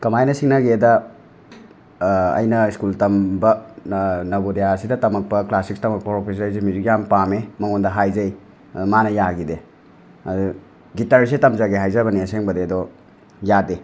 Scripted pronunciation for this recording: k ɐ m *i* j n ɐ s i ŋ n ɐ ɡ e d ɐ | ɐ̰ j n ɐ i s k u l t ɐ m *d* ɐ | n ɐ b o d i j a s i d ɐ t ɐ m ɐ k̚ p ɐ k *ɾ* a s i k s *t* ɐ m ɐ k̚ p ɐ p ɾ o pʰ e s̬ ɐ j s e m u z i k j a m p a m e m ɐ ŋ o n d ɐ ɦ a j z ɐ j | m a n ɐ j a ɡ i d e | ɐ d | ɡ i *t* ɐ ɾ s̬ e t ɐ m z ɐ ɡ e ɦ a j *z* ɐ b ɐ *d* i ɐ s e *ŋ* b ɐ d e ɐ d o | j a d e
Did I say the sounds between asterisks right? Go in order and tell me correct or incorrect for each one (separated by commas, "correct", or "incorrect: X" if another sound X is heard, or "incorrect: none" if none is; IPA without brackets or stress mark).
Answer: incorrect: a, incorrect: b, incorrect: l, correct, correct, correct, incorrect: n, correct